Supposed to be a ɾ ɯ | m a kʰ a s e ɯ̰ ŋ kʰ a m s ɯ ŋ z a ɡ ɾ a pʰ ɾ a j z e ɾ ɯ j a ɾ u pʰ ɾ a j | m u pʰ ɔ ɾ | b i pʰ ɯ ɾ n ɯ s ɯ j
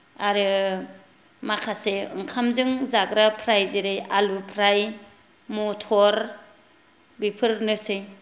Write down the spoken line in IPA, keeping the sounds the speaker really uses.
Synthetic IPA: a ɾ ɯ | m a kʰ a s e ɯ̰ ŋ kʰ a m z ɯ ŋ z a ɡ ɾ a pʰ ɾ a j z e ɾ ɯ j a l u pʰ ɾ a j | m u tʰ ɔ ɾ | b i pʰ ɯ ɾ n ɯ s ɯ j